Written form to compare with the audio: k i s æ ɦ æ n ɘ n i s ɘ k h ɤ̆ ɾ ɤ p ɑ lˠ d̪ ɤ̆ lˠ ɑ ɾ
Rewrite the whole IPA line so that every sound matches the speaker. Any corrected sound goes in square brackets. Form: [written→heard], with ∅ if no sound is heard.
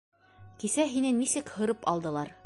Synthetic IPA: k i s æ ɦ [æ→i] n ɘ n i s ɘ k h ɤ̆ ɾ ɤ p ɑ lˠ d̪ ɤ̆ lˠ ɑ ɾ

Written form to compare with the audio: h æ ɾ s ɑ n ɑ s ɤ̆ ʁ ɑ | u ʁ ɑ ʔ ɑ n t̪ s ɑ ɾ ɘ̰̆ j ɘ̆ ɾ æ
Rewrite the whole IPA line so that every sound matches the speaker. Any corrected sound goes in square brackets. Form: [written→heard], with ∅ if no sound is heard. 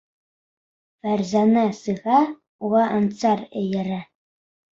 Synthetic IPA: [h→f] æ ɾ [s→z] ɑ n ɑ s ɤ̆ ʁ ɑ | u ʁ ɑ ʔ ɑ n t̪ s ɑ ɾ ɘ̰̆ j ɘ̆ ɾ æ

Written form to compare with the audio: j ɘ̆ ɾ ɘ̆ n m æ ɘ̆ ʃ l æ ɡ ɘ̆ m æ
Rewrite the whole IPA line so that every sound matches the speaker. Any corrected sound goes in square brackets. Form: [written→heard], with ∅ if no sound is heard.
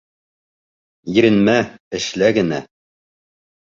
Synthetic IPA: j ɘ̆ ɾ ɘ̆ n m æ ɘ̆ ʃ l æ ɡ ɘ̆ [m→n] æ

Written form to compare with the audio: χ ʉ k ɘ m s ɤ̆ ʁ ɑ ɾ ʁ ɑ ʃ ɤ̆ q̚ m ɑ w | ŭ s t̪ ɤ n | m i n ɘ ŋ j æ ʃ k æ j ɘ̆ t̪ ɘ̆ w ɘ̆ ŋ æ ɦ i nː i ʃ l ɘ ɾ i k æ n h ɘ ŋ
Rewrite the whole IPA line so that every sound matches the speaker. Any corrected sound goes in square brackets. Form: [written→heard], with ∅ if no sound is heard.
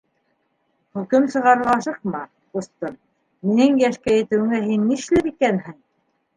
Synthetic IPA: χ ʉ k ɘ m s ɤ̆ ʁ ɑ ɾ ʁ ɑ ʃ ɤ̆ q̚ m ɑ [w→∅] | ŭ s t̪ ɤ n | m i n ɘ ŋ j æ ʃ k æ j ɘ̆ t̪ ɘ̆ w ɘ̆ ŋ æ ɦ i nː i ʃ l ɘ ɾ i k æ n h ɘ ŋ

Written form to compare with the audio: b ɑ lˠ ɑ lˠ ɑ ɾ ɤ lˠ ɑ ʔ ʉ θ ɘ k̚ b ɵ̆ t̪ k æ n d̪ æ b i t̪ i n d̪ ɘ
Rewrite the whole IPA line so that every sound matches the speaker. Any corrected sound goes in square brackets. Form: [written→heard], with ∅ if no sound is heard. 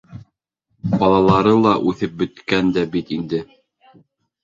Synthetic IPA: b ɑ lˠ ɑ lˠ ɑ ɾ ɤ lˠ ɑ ʔ ʉ θ ɘ [k̚→p̚] b ɵ̆ t̪ k æ n d̪ æ b i t̪ i n d̪ ɘ

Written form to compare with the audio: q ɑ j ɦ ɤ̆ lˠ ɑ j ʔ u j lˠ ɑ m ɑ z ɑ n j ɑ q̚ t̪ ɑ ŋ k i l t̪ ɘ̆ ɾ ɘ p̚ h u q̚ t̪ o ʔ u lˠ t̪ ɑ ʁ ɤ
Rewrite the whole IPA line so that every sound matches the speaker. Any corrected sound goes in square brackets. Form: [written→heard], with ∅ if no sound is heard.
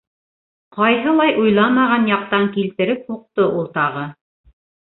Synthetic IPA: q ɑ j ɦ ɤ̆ lˠ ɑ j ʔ u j lˠ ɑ m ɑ [z→ʁ] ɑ n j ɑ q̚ t̪ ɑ ŋ k i l t̪ ɘ̆ ɾ ɘ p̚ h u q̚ t̪ o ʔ u lˠ t̪ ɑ ʁ ɤ

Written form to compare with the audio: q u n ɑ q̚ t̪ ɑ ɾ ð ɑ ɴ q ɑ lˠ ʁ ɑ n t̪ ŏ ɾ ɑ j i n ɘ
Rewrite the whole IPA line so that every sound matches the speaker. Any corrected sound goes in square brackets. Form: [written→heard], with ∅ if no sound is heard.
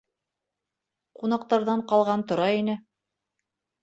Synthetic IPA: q u n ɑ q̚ t̪ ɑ ɾ ð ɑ ɴ q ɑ lˠ ʁ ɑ n t̪ ŏ ɾ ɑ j i n ɘ

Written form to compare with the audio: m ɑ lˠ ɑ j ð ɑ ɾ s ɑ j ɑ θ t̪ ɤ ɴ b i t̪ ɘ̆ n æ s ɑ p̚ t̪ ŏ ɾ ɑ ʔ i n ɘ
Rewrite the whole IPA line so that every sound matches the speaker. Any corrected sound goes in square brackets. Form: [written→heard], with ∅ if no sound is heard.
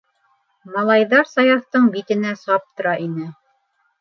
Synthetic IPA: m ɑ lˠ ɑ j ð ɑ ɾ s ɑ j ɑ θ t̪ ɤ ɴ b i t̪ ɘ̆ n æ s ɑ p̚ t̪ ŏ ɾ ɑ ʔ i n ɘ

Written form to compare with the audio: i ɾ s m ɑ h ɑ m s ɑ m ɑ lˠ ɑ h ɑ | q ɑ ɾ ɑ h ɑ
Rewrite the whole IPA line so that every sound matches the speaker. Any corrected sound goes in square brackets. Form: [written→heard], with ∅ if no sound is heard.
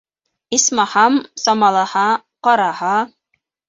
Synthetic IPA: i [ɾ→∅] s m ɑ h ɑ m s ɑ m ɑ lˠ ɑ h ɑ | q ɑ ɾ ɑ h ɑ

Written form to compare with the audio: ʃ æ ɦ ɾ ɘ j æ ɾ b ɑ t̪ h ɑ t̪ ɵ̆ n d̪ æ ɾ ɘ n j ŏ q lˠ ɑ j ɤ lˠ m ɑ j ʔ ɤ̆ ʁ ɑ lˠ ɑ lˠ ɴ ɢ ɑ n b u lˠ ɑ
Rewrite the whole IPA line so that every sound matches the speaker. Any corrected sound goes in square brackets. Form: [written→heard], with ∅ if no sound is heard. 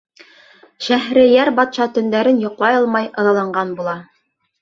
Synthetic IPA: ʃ æ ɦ ɾ ɘ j æ ɾ b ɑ t̪ [h→ʃ] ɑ t̪ ɵ̆ n d̪ æ ɾ ɘ n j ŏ q lˠ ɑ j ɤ lˠ m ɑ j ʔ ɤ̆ [ʁ→ð] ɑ lˠ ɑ [lˠ→∅] ɴ ɢ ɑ n b u lˠ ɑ

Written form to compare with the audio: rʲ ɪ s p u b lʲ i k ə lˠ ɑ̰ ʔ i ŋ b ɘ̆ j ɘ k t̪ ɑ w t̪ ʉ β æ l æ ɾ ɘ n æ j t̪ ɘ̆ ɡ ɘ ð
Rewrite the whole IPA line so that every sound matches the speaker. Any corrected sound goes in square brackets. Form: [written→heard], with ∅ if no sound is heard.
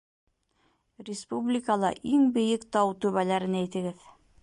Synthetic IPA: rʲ ɪ s p u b lʲ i k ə lˠ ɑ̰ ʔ i ŋ b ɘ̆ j ɘ k t̪ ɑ w t̪ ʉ β æ l æ ɾ ɘ n æ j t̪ ɘ̆ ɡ ɘ ð

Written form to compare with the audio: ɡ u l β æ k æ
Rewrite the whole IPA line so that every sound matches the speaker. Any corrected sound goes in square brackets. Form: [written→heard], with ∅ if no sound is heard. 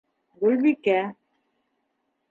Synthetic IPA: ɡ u l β [æ→i] k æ

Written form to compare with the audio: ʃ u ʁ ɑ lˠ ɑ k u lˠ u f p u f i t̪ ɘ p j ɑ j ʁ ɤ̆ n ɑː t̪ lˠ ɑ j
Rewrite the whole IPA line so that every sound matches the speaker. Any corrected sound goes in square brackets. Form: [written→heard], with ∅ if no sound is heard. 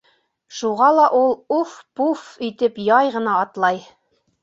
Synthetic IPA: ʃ u ʁ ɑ lˠ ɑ [k→ʔ] u lˠ u f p u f i t̪ ɘ p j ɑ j ʁ ɤ̆ n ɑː t̪ lˠ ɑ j

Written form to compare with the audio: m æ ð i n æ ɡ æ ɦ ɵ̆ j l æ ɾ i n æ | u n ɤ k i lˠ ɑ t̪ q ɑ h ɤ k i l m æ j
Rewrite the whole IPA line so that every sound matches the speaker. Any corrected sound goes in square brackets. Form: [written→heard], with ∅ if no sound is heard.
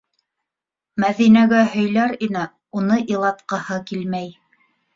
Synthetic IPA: m æ ð i n æ ɡ æ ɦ ɵ̆ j l æ ɾ i n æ | u n ɤ [k→ʔ] i lˠ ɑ t̪ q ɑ h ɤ k i l m æ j

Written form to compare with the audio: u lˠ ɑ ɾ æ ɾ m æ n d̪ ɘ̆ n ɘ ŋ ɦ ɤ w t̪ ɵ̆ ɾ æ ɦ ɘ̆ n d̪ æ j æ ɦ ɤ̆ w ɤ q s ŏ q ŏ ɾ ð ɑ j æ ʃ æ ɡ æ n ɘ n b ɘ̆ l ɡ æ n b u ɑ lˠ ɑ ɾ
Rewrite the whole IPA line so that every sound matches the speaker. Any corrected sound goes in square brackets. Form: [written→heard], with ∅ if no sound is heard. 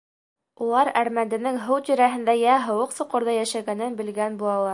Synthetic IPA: u lˠ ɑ ɾ æ ɾ m æ n d̪ ɘ̆ n ɘ ŋ ɦ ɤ w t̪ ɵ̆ ɾ æ ɦ ɘ̆ n d̪ æ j æ ɦ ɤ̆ w ɤ q s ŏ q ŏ ɾ ð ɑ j æ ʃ æ ɡ æ n ɘ n b ɘ̆ l ɡ æ n b u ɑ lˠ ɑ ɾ

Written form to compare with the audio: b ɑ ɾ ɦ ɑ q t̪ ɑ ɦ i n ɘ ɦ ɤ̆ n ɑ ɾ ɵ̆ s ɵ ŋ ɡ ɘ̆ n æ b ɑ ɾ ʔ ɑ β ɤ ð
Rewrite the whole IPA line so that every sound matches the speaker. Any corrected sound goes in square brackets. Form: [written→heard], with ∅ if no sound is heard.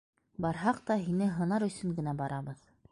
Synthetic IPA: b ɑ ɾ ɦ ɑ q t̪ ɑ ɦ i n ɘ ɦ ɤ̆ n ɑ ɾ ɵ̆ s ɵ ŋ ɡ ɘ̆ n æ b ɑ ɾ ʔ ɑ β ɤ ð

